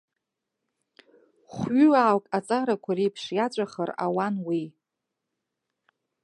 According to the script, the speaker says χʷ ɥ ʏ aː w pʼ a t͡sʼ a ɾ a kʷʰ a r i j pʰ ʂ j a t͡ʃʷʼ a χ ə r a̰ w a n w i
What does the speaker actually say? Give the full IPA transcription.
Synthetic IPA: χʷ ɥ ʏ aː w kʼ a t͡sʼ a ɾ a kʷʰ a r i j pʰ ʂ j a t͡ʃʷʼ a χ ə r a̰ w a n w i